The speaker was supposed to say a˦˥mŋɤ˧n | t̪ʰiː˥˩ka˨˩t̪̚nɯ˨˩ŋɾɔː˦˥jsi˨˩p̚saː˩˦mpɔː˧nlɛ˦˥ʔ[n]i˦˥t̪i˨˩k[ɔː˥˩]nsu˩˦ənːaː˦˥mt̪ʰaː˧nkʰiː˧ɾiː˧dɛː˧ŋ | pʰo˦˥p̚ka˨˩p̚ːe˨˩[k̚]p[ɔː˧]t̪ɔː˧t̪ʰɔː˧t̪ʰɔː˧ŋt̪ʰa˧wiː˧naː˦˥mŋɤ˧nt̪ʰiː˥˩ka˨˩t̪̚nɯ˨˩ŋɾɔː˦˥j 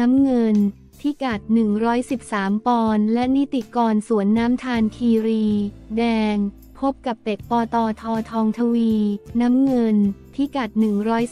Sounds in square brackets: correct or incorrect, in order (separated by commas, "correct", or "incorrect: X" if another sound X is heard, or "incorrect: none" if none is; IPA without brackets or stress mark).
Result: correct, incorrect: ɔː˧, correct, correct